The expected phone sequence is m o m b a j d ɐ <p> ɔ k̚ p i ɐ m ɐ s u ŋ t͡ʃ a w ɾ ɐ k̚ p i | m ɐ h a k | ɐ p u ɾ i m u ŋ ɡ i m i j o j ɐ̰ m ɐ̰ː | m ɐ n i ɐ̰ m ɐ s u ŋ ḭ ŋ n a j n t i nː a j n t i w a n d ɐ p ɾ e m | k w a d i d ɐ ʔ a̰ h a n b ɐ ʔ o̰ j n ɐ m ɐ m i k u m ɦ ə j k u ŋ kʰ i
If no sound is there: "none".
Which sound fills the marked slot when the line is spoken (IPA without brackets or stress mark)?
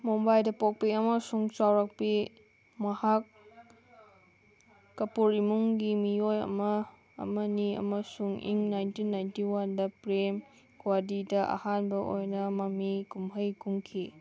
p